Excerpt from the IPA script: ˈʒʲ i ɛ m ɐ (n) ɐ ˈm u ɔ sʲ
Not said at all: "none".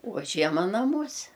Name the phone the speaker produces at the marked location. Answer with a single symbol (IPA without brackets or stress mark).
n